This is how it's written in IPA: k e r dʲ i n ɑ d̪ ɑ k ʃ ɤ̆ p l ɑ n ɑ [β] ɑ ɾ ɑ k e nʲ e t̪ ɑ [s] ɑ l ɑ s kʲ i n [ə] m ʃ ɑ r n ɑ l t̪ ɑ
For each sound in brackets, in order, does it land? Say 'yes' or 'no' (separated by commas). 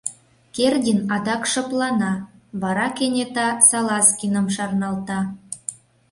yes, yes, yes